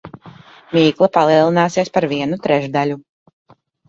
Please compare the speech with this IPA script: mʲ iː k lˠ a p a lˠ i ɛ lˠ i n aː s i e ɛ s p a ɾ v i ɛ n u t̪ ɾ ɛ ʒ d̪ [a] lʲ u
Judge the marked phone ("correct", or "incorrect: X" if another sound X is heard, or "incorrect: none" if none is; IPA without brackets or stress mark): correct